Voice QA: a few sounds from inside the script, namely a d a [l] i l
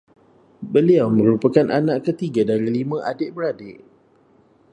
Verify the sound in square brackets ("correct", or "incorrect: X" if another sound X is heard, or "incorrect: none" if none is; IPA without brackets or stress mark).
incorrect: ɾ